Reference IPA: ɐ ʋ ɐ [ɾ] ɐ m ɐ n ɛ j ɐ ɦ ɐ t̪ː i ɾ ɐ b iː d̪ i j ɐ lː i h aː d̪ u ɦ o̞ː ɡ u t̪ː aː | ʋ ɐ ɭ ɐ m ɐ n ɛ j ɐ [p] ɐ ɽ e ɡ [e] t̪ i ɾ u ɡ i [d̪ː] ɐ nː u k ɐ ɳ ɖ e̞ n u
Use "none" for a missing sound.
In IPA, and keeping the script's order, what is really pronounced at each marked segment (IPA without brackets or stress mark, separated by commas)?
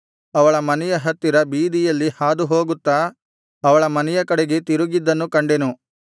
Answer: ɭ, k, e, d̪ː